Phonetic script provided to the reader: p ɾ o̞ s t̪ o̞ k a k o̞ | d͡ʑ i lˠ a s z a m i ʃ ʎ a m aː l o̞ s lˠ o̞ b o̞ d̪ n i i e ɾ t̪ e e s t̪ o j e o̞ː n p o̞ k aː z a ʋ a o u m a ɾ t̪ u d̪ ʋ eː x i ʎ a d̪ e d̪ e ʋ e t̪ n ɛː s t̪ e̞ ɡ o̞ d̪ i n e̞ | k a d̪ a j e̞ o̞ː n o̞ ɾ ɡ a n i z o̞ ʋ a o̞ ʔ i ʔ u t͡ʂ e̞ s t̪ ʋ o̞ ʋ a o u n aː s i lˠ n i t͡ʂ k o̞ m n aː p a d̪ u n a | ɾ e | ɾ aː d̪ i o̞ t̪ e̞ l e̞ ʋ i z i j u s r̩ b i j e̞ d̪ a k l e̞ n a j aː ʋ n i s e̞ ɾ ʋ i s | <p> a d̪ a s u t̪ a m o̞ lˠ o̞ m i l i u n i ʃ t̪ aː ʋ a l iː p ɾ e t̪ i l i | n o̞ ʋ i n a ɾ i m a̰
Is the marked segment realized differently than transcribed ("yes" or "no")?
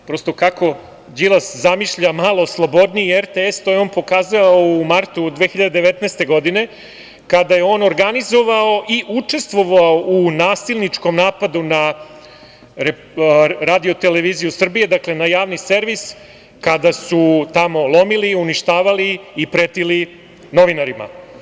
yes